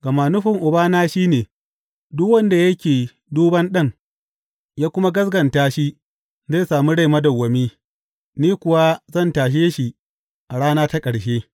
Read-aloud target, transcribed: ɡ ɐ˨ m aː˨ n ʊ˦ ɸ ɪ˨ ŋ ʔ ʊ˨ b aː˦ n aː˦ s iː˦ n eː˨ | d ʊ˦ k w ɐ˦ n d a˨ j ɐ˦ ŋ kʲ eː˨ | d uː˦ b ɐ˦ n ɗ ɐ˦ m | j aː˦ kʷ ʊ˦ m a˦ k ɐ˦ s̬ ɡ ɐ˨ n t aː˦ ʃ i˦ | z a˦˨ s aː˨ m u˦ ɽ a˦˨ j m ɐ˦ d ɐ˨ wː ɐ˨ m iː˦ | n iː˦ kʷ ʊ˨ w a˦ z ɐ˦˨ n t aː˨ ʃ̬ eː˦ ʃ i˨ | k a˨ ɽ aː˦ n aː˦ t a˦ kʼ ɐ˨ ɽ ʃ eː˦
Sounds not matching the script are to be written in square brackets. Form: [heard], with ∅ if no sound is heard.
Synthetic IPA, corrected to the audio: ɡ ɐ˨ m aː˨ n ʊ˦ ɸ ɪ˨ ŋ ʔ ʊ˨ b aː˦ n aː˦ [ʃ] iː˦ n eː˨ | d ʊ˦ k w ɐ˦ n d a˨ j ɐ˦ [∅] kʲ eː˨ | d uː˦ b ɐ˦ n ɗ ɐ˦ [ŋ] | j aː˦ kʷ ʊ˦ m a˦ [ɡ] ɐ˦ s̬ ɡ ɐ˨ n t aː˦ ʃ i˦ | z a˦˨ s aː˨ m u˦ ɽ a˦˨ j m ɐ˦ d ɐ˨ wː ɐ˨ m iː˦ | n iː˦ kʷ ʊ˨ w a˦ z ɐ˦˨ n t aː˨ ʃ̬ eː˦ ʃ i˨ | [ʔ] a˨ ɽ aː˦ n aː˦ t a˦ kʼ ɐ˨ ɽ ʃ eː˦